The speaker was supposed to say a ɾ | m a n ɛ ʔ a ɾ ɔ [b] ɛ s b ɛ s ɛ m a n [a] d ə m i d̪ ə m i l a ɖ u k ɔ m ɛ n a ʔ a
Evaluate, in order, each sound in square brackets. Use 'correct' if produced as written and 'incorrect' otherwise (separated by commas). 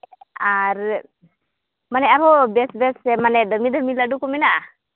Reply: correct, incorrect